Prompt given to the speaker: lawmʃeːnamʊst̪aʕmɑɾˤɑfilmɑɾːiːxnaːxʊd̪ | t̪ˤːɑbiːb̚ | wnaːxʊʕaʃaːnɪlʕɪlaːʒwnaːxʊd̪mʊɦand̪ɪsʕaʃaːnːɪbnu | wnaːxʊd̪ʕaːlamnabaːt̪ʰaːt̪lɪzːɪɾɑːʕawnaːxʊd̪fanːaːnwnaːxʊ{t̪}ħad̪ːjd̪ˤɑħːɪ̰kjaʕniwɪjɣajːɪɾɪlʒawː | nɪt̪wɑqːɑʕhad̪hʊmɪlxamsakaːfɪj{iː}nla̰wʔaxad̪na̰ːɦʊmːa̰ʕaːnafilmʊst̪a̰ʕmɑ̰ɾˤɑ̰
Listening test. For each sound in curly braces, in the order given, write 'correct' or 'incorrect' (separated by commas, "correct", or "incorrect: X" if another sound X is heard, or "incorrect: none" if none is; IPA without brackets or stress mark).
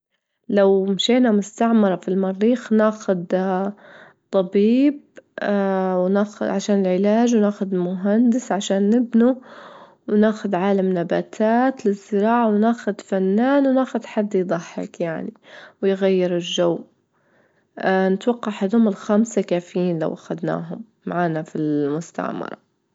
incorrect: d̪, correct